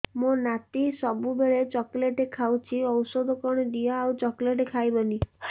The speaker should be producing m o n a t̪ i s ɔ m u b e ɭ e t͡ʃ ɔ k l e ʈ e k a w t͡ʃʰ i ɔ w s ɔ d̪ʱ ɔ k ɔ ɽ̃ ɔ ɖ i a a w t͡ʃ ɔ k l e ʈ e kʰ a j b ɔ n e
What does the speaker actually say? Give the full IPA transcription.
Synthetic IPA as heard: m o n a t̪ i s ɔ b u b e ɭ e t͡ʃ ɔ k l e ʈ e kʰ a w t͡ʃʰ i ɔ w s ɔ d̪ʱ ɔ k ɔ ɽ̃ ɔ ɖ i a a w t͡ʃ ɔ k l e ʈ e kʰ a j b ɔ n i